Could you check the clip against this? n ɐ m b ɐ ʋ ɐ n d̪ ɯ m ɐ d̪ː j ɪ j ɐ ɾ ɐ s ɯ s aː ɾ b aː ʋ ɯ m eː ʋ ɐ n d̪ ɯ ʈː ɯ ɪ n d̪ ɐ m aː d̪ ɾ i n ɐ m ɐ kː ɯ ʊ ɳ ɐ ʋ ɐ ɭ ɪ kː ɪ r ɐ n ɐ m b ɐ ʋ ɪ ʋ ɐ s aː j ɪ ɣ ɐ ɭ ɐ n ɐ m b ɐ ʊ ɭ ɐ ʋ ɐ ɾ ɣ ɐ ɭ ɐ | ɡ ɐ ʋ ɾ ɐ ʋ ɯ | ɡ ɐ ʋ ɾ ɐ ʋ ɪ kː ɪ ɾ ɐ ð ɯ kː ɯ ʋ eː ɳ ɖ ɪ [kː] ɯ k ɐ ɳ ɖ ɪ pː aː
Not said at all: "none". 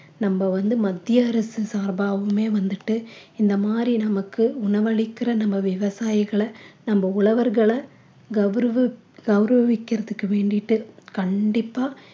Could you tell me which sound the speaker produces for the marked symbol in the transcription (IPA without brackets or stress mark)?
ʈː